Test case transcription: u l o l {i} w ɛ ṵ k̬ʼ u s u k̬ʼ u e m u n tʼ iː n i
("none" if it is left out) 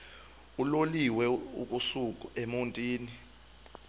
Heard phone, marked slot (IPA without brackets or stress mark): i